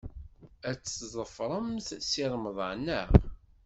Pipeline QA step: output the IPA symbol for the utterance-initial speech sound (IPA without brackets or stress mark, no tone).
æ